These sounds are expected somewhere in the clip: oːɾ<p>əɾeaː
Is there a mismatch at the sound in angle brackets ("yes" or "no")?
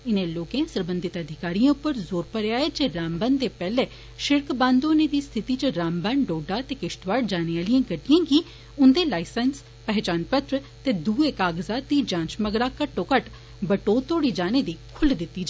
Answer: no